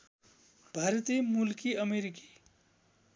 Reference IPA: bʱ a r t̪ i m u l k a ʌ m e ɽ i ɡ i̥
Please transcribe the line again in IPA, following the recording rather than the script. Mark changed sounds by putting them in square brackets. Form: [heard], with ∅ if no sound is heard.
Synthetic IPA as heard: bʱ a [ɾ] t̪ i m u l k [i] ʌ m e [ɾ] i [k] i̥